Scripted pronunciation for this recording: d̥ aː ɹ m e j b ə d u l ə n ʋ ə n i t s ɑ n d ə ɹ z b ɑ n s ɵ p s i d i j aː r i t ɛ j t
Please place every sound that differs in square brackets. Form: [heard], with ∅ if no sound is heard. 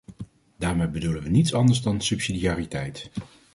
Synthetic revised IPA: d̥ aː ɹ m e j b ə d u l ə n ʋ ə n i t s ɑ n d ə ɹ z [d] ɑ n s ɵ p s i d i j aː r i t ɛ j t